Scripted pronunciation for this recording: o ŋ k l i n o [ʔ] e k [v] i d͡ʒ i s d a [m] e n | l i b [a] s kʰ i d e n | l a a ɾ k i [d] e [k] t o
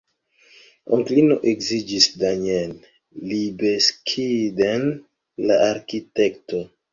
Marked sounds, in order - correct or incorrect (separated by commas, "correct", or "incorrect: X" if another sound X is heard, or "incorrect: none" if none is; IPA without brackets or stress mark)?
correct, incorrect: z, incorrect: ɲ, incorrect: e, incorrect: t, correct